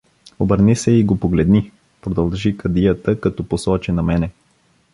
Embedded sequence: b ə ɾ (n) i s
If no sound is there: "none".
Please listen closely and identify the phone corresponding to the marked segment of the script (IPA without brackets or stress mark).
n